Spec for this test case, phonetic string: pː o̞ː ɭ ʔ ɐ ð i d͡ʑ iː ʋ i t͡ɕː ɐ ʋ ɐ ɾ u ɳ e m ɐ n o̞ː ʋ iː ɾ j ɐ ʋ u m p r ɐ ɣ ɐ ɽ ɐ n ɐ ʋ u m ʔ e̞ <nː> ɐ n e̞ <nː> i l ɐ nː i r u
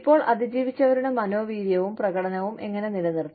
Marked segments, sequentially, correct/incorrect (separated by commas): incorrect, incorrect